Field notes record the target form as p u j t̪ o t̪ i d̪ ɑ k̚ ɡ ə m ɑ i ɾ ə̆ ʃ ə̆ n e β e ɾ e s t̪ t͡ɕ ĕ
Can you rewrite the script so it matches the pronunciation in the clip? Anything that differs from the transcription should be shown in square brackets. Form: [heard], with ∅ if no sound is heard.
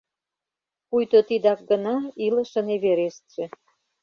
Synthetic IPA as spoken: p u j t̪ o t̪ i d̪ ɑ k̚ ɡ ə [n] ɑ i [l] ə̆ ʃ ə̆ n e β e ɾ e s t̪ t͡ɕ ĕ